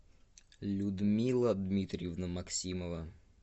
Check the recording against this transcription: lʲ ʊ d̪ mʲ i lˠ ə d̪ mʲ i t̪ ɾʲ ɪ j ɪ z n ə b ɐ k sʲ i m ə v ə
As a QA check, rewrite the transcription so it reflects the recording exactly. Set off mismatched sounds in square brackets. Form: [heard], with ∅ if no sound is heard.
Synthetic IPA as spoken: lʲ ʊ d̪ mʲ i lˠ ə d̪ mʲ i t̪ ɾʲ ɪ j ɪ [v] n ə [m] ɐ k sʲ i m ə v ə